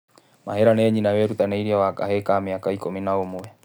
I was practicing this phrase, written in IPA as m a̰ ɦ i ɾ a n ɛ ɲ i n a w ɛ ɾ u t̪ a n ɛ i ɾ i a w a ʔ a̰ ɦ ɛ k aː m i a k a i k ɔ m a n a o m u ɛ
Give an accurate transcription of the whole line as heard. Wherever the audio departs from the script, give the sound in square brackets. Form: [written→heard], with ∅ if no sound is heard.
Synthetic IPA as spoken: m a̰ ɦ [i→ɛ] ɾ a n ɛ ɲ i n a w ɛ ɾ u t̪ a n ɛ i ɾ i a w a [ʔ→k] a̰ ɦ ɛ k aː m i a k a i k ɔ m [a→i] n a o m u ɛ